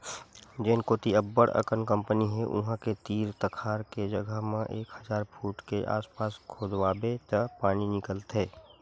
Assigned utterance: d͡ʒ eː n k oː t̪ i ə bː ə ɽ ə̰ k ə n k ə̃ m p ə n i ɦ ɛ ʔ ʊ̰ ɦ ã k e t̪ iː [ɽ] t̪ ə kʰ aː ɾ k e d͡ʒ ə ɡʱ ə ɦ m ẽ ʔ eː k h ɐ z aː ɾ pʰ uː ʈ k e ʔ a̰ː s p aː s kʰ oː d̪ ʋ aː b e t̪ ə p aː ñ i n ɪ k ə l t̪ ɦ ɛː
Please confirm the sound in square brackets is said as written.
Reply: no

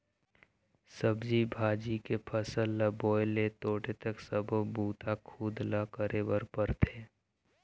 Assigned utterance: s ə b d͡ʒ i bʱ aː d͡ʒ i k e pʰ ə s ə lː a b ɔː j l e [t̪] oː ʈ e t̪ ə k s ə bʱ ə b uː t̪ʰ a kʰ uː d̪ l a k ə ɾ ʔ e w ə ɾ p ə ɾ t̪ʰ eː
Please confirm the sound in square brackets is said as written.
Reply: yes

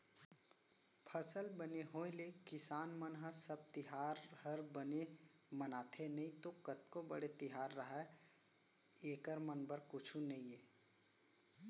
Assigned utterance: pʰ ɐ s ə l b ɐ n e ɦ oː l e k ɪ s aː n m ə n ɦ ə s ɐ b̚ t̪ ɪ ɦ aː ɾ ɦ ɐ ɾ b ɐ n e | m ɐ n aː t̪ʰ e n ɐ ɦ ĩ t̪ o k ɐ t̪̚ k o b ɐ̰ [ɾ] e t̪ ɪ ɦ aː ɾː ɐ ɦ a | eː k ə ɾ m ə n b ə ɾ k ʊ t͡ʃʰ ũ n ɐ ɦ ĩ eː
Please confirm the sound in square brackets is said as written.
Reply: no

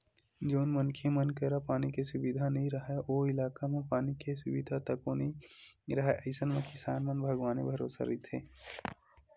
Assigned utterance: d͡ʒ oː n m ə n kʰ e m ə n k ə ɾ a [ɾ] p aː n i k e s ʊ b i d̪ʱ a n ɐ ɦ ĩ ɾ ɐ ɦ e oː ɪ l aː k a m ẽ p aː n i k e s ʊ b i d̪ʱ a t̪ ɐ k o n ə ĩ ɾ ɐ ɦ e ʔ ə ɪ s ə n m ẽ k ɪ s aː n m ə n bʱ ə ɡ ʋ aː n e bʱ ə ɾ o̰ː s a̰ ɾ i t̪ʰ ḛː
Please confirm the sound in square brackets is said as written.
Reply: no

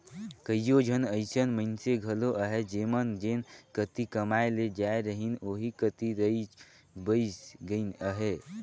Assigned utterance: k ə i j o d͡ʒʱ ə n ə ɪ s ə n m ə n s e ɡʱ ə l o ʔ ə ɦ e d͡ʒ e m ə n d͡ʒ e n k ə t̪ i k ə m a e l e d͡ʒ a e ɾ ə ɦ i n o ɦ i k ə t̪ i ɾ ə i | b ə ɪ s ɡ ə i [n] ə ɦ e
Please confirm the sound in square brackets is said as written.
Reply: yes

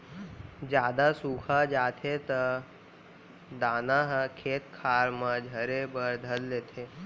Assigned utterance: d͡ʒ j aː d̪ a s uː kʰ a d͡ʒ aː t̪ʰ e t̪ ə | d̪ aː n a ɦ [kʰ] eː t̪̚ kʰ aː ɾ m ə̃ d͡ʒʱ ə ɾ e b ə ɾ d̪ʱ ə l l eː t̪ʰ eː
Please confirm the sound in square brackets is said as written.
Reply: yes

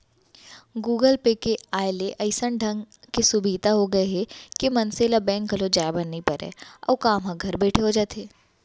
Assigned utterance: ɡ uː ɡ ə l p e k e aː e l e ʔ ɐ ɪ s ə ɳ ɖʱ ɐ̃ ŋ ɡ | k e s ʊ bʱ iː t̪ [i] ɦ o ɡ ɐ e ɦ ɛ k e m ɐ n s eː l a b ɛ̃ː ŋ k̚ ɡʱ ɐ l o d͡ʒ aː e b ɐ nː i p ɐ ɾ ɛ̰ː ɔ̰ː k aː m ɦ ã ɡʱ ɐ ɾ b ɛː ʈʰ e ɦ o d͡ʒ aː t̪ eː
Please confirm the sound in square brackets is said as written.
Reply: no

